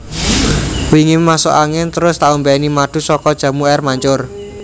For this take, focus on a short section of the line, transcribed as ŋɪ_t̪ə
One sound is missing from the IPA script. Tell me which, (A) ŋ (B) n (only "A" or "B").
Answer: B